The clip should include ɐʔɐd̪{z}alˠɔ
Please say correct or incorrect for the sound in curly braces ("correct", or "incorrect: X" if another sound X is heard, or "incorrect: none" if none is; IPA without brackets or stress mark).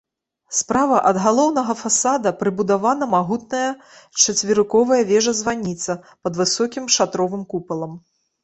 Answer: incorrect: ɣ